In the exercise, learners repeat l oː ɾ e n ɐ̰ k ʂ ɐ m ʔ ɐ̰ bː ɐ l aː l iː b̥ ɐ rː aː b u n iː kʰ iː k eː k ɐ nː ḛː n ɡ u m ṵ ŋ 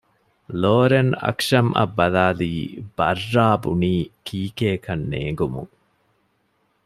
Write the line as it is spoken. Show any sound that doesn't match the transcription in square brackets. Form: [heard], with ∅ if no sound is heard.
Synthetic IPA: l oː ɾ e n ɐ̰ k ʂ ɐ m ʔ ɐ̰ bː ɐ l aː l iː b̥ ɐ rː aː b u n iː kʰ iː k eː k ɐ nː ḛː [ŋ] ɡ u m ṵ ŋ